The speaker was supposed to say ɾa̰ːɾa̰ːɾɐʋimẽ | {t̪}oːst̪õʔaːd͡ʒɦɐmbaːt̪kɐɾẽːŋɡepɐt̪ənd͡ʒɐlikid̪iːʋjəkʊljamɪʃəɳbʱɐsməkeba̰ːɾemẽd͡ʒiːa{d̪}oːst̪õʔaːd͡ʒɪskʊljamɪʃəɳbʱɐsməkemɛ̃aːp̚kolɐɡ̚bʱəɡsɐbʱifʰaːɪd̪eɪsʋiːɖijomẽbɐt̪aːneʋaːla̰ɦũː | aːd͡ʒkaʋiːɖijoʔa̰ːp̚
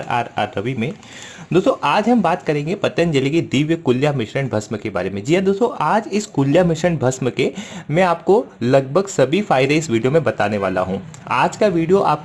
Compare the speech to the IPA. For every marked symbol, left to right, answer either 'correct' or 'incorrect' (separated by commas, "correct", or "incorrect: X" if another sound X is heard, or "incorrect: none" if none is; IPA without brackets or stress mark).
incorrect: d̪, correct